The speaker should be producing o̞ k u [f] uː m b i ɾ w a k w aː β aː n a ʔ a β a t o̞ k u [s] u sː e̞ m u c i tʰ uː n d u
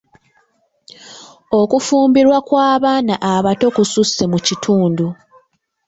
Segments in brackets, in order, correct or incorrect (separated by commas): correct, correct